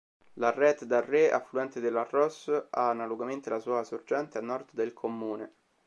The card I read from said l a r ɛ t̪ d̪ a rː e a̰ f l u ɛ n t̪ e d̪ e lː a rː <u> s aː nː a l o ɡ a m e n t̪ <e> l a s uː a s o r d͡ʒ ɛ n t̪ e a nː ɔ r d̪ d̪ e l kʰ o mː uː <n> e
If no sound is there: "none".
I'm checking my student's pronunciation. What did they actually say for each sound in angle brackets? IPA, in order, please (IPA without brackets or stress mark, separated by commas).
ɔ, e, n